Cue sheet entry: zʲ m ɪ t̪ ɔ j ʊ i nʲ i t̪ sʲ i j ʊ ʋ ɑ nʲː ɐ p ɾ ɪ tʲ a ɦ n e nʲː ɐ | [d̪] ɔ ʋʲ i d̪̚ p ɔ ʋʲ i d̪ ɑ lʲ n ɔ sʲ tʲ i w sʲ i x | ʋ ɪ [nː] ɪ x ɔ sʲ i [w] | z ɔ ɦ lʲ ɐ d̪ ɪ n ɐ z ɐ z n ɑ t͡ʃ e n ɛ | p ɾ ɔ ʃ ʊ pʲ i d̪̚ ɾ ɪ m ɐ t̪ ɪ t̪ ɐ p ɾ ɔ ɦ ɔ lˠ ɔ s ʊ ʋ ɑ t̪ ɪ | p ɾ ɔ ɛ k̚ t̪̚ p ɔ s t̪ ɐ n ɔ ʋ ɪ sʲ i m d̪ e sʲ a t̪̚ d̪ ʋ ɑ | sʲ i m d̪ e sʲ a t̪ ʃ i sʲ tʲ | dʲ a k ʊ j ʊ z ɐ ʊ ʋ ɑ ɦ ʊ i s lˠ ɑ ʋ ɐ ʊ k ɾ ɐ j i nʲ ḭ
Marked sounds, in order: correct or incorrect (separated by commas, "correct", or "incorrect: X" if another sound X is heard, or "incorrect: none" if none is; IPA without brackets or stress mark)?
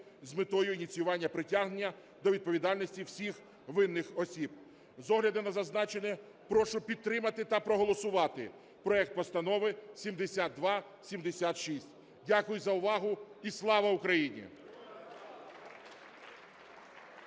correct, correct, incorrect: b